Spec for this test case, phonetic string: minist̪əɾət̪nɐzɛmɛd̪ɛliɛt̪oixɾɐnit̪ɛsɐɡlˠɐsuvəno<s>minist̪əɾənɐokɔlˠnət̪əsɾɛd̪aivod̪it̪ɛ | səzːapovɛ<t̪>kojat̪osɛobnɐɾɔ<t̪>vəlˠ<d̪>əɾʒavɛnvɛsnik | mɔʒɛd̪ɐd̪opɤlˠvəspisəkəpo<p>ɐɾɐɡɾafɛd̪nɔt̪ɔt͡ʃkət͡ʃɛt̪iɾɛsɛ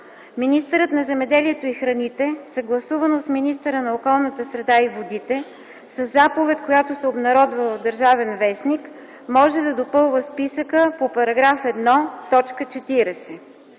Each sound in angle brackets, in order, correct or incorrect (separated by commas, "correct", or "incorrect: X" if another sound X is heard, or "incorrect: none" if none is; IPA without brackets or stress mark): correct, correct, incorrect: d̪, correct, correct